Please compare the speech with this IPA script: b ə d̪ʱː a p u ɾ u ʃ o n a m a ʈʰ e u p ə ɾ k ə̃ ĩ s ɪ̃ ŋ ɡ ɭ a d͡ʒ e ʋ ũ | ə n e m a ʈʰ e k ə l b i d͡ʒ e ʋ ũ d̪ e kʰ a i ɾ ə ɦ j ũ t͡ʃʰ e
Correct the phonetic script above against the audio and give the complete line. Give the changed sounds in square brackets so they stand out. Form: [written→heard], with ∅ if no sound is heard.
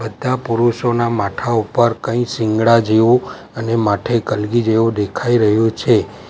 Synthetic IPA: b ə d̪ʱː a p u ɾ u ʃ o n a m a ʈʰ [e→a] u p ə ɾ k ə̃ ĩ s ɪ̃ ŋ ɡ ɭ a d͡ʒ e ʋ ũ | ə n e m a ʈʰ e k ə l [b→ɡ] i d͡ʒ e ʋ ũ d̪ e kʰ a i ɾ ə ɦ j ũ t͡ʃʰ e